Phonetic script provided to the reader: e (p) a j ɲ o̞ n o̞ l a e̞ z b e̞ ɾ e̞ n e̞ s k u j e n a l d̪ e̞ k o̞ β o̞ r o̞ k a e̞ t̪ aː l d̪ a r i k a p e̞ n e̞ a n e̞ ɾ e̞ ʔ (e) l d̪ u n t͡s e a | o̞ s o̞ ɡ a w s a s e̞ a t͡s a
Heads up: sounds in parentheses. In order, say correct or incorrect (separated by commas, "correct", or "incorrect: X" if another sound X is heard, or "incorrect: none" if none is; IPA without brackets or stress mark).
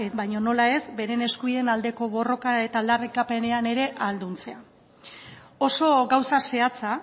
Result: incorrect: b, incorrect: a